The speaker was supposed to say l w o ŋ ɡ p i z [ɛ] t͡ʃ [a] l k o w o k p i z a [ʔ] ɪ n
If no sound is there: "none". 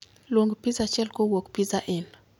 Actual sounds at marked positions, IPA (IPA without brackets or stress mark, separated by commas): a, ɛ, ʔ